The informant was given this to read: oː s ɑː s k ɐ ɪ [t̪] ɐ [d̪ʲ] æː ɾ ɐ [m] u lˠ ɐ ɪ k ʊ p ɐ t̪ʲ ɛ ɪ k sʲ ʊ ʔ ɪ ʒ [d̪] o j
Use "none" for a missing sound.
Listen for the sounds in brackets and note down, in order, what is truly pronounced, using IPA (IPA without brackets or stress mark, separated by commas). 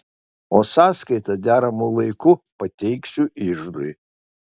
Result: t̪, d̪ʲ, m, d̪